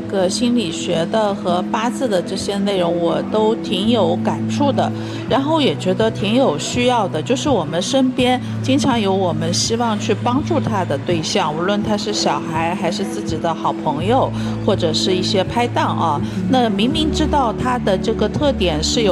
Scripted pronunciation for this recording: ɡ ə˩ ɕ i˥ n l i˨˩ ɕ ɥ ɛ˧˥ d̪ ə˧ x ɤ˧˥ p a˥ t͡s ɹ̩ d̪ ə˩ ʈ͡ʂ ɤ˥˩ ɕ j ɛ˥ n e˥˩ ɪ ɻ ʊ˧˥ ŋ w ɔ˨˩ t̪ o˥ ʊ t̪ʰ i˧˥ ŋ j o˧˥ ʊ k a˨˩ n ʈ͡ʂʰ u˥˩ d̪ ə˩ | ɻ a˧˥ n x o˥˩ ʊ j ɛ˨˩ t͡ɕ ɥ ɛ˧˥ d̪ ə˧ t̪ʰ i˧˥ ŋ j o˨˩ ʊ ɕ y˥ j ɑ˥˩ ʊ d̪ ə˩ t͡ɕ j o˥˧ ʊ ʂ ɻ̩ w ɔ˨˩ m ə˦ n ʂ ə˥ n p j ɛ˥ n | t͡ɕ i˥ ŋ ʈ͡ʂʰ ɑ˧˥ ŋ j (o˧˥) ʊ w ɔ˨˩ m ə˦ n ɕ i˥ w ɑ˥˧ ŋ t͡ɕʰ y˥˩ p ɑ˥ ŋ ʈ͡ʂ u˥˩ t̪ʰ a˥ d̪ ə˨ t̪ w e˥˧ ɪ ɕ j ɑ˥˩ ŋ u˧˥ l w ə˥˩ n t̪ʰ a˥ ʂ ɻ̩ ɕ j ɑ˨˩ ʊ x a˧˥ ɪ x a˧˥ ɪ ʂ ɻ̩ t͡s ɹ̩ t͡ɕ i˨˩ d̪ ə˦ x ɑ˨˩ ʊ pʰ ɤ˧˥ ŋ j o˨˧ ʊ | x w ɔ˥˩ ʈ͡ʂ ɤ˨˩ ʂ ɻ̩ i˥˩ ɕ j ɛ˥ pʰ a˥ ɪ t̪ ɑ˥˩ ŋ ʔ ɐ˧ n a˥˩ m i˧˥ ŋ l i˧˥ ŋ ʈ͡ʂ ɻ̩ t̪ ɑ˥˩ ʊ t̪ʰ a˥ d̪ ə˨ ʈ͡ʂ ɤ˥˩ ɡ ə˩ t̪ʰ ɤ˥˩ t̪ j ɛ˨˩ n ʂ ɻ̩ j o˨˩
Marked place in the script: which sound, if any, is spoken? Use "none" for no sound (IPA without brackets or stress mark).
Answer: o˧˥